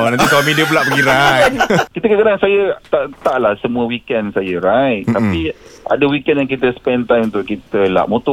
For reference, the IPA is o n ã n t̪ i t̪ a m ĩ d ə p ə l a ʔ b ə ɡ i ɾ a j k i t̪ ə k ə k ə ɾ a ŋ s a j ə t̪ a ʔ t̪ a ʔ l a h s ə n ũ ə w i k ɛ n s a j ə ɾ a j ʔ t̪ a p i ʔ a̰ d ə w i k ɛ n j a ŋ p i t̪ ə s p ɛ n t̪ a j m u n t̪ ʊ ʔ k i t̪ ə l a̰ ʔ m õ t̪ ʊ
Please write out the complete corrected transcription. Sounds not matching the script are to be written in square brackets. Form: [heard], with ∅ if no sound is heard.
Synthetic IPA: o n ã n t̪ i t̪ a m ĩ d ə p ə l a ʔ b ə ɡ i ɾ a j k i t̪ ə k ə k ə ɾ a ŋ s a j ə t̪ a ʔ t̪ a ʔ l a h s ə [m] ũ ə w i k ɛ n s a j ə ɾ a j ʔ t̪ a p i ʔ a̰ d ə w i k ɛ n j a ŋ [k] i t̪ ə s p ɛ n t̪ a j m u n t̪ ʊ ʔ k i t̪ ə l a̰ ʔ m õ t̪ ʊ